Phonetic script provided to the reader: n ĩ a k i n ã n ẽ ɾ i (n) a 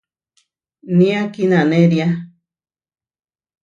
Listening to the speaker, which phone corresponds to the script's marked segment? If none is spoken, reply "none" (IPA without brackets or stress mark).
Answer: none